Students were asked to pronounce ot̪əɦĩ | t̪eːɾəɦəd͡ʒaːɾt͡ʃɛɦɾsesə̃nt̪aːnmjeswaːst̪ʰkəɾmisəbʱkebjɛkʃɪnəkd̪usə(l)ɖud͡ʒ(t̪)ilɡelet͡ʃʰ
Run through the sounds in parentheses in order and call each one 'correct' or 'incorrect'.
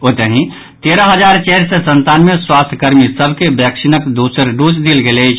incorrect: ɾ, incorrect: d̪

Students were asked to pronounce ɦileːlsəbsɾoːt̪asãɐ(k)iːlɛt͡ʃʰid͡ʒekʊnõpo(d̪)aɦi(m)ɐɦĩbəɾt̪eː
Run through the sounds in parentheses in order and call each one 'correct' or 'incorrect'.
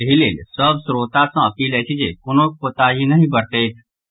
incorrect: p, incorrect: t̪, incorrect: n

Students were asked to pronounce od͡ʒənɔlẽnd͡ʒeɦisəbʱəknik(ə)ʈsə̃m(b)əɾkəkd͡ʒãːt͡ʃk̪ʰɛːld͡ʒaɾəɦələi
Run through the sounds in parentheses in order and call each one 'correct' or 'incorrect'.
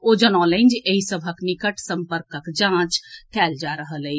correct, incorrect: p

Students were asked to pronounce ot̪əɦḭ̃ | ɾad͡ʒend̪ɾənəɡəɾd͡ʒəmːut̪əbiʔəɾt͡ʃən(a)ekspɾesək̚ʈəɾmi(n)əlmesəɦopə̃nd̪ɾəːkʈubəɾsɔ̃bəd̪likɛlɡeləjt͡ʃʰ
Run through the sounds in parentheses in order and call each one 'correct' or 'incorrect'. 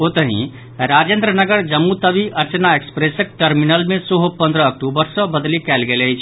correct, correct

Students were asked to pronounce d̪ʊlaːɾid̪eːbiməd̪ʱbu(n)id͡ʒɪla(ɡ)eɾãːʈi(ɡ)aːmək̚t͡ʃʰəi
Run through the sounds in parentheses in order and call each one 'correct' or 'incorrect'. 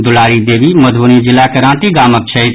correct, incorrect: k, correct

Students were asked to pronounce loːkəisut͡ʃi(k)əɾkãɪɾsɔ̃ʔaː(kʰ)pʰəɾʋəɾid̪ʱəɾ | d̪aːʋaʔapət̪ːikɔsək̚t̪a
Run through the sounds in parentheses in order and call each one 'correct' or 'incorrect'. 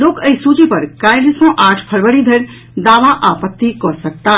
incorrect: p, incorrect: ʈʰ

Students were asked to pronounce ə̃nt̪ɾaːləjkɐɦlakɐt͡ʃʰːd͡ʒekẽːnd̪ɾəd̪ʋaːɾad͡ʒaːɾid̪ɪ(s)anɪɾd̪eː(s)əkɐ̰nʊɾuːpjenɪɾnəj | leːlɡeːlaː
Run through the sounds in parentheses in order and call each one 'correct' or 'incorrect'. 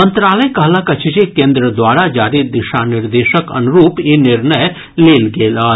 incorrect: ʃ, incorrect: ʃ

